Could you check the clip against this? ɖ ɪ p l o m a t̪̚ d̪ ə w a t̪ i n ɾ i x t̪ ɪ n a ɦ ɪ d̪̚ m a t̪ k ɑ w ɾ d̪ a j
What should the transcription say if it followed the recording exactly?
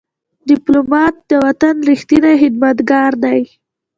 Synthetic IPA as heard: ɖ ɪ p l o m ɑ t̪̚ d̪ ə w a t̪ a n ɾ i x t̪ i n a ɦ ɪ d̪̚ m a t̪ ɡ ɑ ɾ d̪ a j